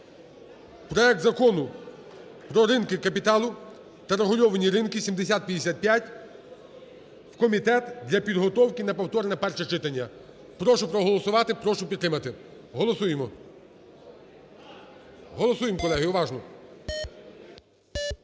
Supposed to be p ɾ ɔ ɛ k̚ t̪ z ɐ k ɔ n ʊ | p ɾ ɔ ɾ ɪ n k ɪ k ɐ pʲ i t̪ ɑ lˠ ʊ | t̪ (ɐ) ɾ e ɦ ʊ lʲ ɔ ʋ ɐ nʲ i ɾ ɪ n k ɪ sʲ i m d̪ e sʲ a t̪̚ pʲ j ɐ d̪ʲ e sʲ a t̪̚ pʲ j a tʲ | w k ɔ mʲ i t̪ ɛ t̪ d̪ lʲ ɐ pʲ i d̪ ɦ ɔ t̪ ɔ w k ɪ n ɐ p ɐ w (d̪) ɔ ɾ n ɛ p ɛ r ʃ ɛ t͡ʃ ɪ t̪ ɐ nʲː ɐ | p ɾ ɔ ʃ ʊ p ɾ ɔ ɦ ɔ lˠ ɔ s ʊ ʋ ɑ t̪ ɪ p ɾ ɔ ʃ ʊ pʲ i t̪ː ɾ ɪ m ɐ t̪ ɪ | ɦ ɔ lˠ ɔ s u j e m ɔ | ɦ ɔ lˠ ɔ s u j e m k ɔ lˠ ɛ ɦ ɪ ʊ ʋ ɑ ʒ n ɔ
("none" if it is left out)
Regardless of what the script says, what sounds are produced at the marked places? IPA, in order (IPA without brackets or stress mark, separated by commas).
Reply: ɐ, t̪